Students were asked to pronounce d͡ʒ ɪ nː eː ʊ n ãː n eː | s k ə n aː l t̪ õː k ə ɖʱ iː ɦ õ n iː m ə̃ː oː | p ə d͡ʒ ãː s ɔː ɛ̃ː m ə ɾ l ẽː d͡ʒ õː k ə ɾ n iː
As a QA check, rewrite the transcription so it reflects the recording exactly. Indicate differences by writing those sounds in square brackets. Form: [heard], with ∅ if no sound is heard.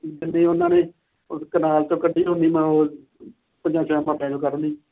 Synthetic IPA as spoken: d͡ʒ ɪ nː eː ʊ n ãː n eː | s k ə n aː l t̪ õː k ə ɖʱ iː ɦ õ n iː m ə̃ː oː | p ə d͡ʒ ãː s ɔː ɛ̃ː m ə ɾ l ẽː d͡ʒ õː k ə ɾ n iː